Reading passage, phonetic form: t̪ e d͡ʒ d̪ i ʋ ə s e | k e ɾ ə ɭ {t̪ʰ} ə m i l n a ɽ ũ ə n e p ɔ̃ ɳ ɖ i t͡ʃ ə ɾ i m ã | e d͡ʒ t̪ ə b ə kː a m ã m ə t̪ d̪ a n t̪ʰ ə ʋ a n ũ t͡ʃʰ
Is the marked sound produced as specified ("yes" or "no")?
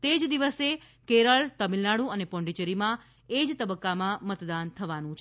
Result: no